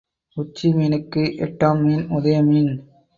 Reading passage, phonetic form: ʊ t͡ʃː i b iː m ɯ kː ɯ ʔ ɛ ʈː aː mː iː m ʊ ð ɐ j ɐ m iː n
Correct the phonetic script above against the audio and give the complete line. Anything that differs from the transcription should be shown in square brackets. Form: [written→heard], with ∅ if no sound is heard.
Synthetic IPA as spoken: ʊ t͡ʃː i [b→m] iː [m→n] ɯ kː ɯ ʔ ɛ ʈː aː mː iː [m→n] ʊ ð ɐ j ɐ m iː n